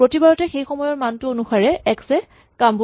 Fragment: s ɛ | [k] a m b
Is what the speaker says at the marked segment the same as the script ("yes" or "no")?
yes